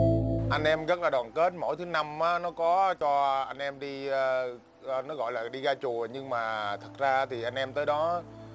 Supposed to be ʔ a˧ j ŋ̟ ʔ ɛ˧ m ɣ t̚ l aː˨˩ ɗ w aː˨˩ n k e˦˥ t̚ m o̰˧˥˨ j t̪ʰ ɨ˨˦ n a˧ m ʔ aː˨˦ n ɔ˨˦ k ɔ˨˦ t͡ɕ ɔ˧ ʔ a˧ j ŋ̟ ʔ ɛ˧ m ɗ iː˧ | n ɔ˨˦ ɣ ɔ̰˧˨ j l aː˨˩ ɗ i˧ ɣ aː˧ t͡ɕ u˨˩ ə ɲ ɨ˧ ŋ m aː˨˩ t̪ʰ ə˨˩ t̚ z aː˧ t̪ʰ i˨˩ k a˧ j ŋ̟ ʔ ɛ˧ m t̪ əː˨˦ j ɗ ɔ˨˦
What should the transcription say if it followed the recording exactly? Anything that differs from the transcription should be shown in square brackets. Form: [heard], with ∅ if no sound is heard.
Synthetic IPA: ʔ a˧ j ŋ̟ ʔ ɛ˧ m ɣ t̚ l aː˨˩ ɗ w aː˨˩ n k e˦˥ t̚ m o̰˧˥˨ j t̪ʰ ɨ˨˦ n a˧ m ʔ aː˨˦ n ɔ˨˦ k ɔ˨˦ t͡ɕ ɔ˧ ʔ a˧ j ŋ̟ ʔ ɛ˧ m ɗ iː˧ | n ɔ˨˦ ɣ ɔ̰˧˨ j l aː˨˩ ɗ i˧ ɣ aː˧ t͡ɕ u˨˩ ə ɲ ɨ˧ ŋ m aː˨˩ t̪ʰ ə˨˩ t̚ z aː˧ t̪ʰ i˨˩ [ʔ] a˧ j ŋ̟ ʔ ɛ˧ m t̪ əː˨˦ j ɗ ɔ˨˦

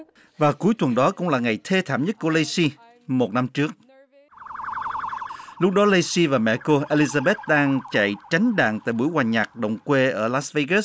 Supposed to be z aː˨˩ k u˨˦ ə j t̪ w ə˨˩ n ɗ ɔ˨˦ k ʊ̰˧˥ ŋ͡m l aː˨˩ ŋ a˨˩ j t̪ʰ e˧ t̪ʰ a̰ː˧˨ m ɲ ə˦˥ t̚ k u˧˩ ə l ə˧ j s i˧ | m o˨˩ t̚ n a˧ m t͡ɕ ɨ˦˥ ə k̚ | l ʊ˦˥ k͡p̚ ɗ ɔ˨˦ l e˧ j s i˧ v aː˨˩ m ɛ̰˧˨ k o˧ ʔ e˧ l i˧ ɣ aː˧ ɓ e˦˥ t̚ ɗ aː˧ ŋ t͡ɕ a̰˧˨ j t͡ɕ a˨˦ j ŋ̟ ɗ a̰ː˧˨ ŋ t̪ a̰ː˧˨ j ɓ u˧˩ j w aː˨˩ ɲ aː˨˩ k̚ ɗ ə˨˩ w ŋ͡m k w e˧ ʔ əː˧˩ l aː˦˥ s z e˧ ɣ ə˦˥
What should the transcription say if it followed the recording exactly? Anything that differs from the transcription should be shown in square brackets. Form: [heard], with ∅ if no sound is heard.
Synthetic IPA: [v] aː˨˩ k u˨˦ ə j t̪ w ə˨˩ n ɗ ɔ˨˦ k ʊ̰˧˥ ŋ͡m l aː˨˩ ŋ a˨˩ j t̪ʰ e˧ t̪ʰ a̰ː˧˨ m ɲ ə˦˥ t̚ k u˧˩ ə l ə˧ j s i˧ | m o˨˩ t̚ n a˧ m t͡ɕ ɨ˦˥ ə k̚ | l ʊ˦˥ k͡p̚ ɗ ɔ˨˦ l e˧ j s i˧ v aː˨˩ m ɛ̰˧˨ k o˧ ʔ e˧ l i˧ [z] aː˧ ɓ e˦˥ t̚ ɗ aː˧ ŋ t͡ɕ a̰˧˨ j t͡ɕ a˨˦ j ŋ̟ ɗ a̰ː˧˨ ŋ t̪ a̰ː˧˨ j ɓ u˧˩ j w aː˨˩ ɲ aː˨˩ k̚ ɗ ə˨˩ w ŋ͡m k w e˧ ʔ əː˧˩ l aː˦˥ s [v] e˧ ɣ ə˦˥

